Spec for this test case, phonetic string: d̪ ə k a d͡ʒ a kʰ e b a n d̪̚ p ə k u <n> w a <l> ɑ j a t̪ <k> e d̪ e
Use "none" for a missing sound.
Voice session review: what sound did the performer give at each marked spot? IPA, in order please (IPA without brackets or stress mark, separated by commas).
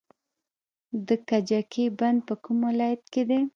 m, l, k